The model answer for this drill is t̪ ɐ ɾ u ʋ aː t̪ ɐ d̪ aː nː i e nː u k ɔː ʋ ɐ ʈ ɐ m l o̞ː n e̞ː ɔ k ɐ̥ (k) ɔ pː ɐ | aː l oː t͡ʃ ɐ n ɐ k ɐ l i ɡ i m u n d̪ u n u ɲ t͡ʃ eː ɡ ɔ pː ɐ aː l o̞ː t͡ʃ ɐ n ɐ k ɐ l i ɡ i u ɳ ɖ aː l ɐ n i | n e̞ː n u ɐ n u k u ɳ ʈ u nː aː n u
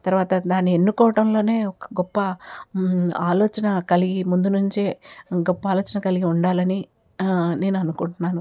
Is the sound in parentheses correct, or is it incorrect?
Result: incorrect